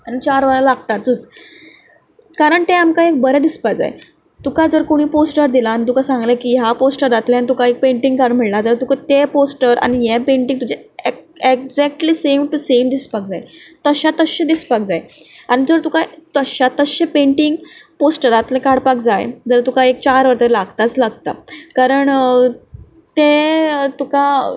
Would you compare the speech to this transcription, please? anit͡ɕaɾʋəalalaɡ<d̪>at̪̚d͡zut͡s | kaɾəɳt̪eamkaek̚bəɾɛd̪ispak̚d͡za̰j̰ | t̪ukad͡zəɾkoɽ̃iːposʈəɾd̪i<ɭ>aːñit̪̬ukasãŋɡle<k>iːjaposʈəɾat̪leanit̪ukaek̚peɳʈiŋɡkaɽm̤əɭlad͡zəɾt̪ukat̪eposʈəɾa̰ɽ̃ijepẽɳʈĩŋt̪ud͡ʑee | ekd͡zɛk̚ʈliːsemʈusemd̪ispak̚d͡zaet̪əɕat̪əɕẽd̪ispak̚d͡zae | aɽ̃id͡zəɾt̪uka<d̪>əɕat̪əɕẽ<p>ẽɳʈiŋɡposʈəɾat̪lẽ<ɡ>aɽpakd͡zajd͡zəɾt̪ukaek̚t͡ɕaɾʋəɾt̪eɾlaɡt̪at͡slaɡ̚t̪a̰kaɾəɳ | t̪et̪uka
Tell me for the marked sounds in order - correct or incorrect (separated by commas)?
incorrect, incorrect, correct, incorrect, correct, incorrect